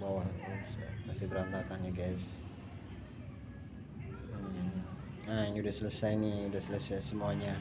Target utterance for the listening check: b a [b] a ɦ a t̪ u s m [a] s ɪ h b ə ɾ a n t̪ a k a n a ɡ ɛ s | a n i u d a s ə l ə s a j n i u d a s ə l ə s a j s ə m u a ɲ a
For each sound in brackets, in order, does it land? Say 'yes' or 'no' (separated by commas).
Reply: no, yes